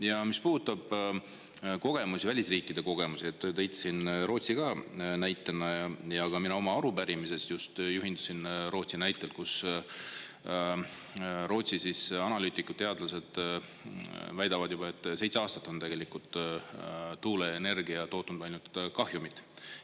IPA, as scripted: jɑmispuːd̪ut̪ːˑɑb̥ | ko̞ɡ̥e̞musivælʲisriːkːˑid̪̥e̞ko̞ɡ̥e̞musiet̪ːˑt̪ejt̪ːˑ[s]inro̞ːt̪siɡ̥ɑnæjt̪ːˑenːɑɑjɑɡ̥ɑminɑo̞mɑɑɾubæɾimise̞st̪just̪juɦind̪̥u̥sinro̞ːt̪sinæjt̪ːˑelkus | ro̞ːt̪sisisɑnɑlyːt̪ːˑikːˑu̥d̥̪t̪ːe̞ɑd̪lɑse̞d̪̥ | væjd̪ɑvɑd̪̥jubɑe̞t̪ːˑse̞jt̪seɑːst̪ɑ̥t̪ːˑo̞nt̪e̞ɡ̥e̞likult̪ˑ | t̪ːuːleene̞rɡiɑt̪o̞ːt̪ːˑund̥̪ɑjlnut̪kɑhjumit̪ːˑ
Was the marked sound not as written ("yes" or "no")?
no